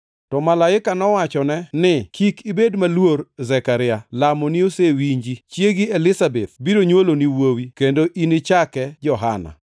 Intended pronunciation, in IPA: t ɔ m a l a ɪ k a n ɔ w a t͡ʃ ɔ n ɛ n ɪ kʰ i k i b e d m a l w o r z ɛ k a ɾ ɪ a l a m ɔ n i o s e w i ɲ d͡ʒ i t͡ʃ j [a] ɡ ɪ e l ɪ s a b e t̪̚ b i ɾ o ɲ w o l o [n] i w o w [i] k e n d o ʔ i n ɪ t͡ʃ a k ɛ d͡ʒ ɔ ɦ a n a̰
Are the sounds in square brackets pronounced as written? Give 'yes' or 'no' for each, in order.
no, yes, yes

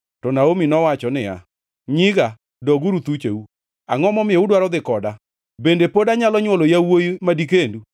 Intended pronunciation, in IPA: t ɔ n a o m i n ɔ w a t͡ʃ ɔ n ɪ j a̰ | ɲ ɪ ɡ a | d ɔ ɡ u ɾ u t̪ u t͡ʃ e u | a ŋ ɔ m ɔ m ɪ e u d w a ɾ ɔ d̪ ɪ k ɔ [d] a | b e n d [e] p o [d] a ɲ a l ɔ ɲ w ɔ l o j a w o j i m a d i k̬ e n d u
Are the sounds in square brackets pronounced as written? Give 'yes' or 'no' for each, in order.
yes, yes, yes

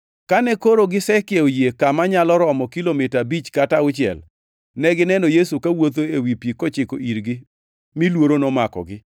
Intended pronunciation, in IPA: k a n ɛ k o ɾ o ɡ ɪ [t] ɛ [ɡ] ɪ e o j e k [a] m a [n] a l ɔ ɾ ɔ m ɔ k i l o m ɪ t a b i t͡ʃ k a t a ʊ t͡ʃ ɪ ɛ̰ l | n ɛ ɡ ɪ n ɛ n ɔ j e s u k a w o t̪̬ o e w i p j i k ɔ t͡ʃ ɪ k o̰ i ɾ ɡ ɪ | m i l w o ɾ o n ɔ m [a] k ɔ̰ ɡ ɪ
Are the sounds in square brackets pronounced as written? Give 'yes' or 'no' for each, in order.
no, no, yes, no, yes

